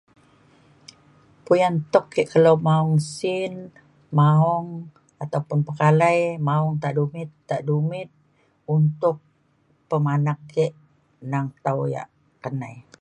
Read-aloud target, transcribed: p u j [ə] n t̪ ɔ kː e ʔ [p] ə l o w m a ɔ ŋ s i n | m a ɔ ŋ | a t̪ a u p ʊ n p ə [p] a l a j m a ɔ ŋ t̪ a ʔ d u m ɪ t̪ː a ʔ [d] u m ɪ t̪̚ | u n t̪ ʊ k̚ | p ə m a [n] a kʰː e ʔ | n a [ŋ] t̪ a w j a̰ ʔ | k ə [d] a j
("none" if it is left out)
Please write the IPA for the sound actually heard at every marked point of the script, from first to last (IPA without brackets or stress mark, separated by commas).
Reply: a, k, k, d, n, ŋ, n